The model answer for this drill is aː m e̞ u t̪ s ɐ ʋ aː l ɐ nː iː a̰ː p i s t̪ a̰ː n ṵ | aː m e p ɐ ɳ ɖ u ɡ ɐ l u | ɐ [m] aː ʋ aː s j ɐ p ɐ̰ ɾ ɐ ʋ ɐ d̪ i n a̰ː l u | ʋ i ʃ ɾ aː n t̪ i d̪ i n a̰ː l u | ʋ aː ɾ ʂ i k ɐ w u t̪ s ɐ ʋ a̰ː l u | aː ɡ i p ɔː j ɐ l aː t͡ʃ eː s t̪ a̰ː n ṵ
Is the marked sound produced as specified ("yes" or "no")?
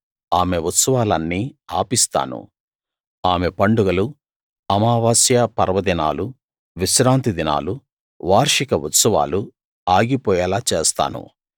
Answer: yes